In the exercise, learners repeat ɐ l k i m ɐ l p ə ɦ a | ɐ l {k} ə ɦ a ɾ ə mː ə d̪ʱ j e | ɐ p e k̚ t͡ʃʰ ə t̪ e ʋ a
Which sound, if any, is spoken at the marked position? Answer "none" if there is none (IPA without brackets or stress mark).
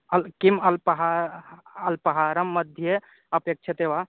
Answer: p